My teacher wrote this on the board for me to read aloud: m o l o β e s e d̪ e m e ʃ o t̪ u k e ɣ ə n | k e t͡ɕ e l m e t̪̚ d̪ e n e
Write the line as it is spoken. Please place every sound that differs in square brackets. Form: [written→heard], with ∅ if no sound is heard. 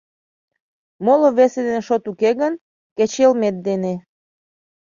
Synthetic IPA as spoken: m o l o β e s e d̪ e [m→n] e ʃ o t̪ u k e ɣ ə n | k e t͡ɕ e l m e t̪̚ d̪ e n e